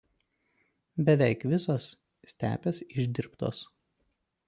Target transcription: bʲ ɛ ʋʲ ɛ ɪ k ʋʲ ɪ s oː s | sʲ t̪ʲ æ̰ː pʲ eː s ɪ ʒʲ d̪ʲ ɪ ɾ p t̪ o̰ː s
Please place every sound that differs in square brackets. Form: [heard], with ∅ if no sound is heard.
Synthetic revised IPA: bʲ ɛ ʋʲ ɛ ɪ k ʋʲ ɪ s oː s | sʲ t̪ʲ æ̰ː pʲ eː s ɪ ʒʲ d̪ʲ ɪ ɾ p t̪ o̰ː s

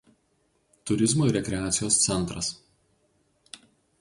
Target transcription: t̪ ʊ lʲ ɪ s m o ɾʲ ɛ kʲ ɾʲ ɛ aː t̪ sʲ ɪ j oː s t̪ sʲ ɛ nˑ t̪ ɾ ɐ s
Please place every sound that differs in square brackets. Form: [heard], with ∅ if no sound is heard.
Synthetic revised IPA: t̪ ʊ [ɾʲ] ɪ [z] m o ɾʲ ɛ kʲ ɾʲ ɛ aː t̪ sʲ ɪ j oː s t̪ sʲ ɛ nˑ t̪ ɾ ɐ s

